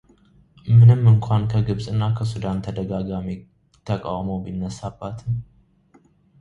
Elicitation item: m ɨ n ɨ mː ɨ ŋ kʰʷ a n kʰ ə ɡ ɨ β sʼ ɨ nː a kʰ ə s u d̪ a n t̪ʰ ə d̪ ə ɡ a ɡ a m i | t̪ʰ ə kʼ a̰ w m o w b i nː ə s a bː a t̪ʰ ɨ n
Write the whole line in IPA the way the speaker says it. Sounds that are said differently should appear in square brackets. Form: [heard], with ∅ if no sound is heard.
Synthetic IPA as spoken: m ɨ n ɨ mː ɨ ŋ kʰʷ a n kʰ ə ɡ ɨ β sʼ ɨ nː a kʰ ə s u d̪ a n t̪ʰ ə d̪ ə ɡ a ɡ a m i | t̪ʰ ə kʼ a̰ w m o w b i nː ə s a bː a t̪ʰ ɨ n